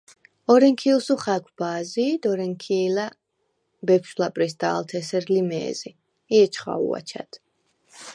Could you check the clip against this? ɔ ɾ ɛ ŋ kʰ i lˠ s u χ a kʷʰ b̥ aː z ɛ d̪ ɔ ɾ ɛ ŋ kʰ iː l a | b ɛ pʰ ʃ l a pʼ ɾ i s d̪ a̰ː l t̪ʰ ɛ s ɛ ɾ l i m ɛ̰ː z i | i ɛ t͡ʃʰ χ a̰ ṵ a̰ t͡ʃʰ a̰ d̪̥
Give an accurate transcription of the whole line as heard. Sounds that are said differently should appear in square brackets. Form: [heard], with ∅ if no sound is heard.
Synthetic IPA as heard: ɔ ɾ ɛ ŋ kʰ i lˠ s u χ a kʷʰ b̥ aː z [i] d̪ ɔ ɾ ɛ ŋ kʰ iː l a | b ɛ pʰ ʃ l a pʼ ɾ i s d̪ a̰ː l t̪ʰ ɛ s ɛ ɾ l i m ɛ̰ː z i | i ɛ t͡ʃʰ χ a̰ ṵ a̰ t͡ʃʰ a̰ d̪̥